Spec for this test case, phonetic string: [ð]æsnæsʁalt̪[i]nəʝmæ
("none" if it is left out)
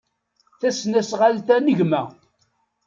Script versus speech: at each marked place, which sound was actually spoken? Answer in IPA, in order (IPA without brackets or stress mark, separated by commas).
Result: θ, æ